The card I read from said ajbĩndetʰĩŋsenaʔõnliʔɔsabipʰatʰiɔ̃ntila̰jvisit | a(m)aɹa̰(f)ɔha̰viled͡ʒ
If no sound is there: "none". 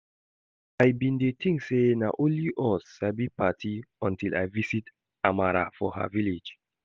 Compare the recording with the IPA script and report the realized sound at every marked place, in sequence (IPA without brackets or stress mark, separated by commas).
m, f